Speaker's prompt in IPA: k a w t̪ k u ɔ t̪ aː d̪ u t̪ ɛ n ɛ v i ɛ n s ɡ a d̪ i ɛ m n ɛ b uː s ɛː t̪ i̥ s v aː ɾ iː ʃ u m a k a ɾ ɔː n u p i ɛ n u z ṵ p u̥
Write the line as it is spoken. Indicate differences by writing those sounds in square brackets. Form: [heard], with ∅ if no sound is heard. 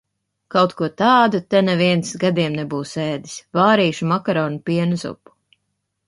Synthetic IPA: k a w t̪ k u ɔ t̪ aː d̪ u t̪ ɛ n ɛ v i ɛ n s ɡ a d̪ i ɛ m n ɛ b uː s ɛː [d̪] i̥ s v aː ɾ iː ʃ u m a k a ɾ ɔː n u p i ɛ n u z ṵ p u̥